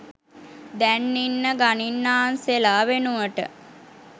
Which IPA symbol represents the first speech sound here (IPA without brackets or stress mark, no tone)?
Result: d̪